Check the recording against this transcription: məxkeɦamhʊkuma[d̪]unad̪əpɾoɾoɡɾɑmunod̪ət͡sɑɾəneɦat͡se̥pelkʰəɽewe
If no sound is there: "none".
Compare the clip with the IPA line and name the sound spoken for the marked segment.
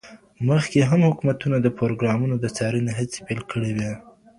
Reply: t̪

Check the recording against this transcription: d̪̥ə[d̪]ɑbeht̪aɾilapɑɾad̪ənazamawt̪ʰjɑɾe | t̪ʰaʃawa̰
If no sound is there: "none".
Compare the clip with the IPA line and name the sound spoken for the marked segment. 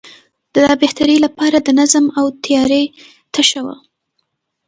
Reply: d̪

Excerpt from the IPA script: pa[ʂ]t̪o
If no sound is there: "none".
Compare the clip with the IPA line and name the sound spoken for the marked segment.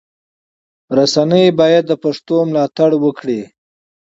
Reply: ʂ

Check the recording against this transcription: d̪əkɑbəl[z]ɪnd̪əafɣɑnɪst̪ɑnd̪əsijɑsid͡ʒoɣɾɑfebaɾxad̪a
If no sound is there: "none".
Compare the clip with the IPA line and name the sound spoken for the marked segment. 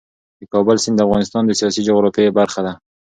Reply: s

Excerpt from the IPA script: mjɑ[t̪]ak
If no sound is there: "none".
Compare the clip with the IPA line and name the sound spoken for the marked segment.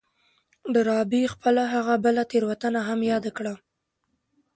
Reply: d̪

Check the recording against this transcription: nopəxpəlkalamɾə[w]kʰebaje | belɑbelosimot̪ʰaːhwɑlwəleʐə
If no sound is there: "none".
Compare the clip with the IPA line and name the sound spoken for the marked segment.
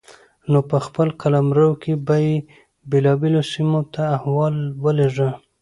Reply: w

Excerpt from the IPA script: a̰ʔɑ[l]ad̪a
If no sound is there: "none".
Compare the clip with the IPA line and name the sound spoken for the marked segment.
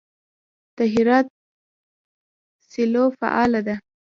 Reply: l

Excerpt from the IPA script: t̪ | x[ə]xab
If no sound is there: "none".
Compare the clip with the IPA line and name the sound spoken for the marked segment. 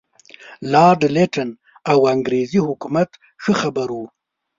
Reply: ə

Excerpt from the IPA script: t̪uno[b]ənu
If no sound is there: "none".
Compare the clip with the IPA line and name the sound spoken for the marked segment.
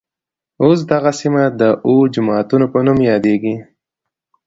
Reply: p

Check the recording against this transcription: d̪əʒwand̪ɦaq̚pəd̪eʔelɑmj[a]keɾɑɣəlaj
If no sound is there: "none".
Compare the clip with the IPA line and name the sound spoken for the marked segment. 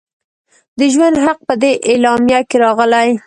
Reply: a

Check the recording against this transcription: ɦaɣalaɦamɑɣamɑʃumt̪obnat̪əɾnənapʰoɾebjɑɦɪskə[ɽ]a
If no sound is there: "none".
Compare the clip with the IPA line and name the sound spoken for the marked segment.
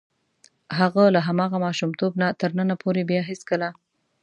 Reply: l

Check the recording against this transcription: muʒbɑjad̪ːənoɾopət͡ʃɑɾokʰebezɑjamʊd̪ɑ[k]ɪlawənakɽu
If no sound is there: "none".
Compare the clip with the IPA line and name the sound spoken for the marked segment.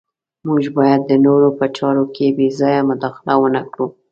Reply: x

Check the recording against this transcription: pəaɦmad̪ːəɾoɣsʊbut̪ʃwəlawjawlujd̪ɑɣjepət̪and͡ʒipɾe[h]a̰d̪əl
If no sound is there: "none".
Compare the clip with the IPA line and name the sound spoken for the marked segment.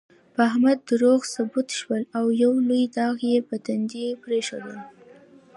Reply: ʃ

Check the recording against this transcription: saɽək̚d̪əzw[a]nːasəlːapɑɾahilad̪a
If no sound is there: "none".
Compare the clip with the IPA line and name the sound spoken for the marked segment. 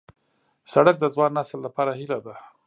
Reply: ɑ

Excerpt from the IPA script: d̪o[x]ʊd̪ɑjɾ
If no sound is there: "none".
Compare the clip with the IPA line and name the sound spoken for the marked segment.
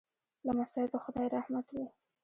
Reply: x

